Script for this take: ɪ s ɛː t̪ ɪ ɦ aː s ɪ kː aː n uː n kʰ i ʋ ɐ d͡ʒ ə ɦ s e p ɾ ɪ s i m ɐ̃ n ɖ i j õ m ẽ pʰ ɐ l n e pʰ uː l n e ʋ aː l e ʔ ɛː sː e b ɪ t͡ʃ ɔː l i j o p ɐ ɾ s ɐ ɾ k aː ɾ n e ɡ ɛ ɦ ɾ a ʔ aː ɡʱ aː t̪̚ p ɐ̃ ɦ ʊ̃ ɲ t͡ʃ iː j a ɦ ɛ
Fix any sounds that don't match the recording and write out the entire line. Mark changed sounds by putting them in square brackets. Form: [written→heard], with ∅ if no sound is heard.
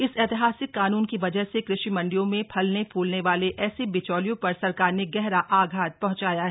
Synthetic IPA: ɪ s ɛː t̪ ɪ ɦ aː s ɪ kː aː n uː n [kʰ→k] i ʋ ɐ d͡ʒ ə ɦ s e [p→k] ɾ ɪ [s→ʃ] i m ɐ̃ [n→ɳ] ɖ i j õ m ẽ pʰ ɐ l n e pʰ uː l n e ʋ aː l e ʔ ɛː [sː→s] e b ɪ t͡ʃ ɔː l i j [o→õ] p ɐ ɾ s ɐ ɾ k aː ɾ n e ɡ ɛ ɦ ɾ a ʔ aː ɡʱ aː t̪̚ p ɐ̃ ɦ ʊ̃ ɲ t͡ʃ [iː→aː] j a ɦ ɛ